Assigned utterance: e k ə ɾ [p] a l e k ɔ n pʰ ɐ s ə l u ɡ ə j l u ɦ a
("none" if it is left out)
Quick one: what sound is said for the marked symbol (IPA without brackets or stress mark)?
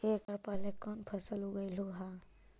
p